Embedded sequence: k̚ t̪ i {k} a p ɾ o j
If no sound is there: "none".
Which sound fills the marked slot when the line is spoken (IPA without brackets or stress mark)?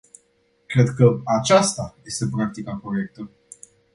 k